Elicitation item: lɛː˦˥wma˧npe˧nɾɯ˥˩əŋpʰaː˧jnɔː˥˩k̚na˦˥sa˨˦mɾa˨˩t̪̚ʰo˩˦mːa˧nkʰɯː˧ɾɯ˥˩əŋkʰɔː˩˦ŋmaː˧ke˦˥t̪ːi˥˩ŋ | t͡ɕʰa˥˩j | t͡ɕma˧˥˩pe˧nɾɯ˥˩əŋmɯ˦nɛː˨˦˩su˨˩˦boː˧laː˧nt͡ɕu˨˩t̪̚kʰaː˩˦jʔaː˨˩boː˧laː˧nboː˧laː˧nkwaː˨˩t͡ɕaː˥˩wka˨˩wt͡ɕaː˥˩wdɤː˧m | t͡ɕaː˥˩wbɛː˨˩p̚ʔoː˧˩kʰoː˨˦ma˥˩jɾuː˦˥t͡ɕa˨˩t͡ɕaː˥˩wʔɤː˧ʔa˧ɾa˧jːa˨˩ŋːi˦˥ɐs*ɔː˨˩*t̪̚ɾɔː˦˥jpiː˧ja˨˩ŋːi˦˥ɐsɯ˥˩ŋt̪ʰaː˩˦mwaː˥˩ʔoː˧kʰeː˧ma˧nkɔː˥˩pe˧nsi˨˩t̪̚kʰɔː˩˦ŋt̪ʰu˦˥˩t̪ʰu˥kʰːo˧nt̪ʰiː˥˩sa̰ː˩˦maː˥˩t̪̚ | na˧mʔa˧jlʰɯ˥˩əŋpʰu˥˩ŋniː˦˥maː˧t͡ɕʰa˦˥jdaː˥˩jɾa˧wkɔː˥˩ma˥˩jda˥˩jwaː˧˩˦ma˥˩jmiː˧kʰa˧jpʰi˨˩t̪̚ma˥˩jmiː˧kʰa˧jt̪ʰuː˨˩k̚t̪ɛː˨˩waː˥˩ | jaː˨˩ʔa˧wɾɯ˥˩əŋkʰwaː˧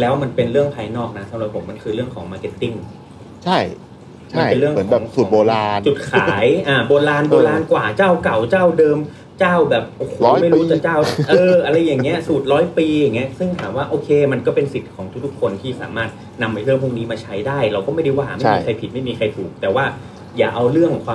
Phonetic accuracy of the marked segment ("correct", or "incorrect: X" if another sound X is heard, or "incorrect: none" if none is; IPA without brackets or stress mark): incorrect: uː˨˩